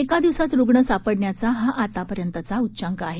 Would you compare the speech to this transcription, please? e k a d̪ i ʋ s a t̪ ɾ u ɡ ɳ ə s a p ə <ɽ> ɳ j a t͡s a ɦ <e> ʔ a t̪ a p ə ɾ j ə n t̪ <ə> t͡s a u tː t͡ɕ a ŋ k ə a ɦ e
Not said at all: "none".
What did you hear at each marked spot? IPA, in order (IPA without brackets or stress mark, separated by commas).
ɽ, a, ə